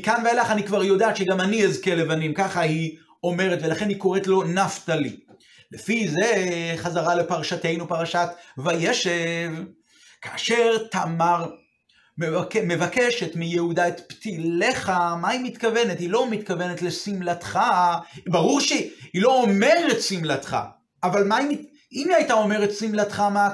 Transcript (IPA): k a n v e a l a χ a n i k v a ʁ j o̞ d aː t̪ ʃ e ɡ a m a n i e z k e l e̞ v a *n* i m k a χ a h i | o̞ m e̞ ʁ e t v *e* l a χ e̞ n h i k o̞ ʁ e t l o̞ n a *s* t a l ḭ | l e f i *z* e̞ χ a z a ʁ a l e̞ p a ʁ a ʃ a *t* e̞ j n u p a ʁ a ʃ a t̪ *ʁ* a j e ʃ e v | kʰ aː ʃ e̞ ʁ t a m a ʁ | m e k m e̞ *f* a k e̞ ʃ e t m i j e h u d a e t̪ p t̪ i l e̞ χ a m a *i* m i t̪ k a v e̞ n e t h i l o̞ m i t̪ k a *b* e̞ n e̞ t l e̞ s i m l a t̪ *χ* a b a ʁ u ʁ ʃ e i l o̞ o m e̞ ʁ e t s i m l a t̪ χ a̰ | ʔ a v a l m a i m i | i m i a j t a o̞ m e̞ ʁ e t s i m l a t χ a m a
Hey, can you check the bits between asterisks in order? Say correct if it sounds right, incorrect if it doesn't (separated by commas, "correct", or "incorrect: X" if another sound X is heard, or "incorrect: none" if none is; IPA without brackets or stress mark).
correct, correct, incorrect: f, correct, correct, incorrect: v, incorrect: v, correct, incorrect: v, correct